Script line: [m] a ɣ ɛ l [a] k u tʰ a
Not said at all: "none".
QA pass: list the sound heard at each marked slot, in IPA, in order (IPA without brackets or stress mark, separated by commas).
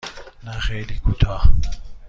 n, i